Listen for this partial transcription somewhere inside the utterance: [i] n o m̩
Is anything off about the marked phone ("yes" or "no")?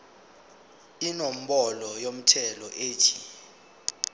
no